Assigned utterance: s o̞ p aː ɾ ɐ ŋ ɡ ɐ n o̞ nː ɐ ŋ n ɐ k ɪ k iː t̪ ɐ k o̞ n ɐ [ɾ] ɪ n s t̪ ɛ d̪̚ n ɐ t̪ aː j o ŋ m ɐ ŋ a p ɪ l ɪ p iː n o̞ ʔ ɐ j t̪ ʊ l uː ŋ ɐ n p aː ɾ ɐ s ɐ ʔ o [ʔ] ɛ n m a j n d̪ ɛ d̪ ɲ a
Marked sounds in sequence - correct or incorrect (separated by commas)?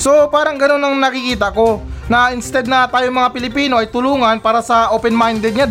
incorrect, incorrect